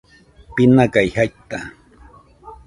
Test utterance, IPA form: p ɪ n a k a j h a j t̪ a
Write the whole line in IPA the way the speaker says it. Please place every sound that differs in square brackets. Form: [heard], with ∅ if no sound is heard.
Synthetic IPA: p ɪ n a k a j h a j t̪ a